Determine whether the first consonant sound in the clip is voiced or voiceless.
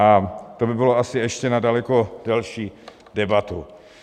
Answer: voiceless